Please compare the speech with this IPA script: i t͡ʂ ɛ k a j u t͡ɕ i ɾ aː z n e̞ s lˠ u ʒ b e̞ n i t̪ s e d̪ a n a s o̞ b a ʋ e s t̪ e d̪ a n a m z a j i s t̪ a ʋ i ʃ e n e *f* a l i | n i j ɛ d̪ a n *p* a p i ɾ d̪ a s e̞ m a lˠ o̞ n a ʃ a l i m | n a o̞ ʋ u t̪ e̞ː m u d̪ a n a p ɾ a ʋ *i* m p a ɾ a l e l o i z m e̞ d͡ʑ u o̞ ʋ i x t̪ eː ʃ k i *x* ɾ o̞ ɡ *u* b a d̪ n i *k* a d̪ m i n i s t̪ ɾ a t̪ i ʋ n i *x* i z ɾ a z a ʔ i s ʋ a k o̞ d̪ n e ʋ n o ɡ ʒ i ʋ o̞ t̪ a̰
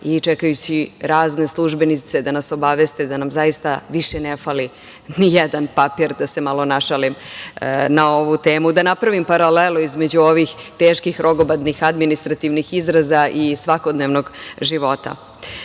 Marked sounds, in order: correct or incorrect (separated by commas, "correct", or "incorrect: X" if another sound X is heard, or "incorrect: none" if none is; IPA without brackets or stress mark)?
correct, correct, correct, correct, incorrect: o, incorrect: x, correct